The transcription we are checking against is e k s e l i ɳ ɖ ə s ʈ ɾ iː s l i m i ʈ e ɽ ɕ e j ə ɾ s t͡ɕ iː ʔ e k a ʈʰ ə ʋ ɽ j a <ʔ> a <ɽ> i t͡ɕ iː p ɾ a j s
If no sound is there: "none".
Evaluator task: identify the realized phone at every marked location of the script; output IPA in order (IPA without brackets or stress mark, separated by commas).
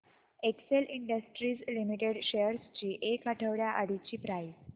ʔ, ɽ